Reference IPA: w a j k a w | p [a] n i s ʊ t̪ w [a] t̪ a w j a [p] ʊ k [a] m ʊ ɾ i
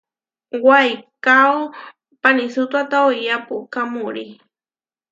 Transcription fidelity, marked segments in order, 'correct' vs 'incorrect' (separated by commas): correct, correct, correct, correct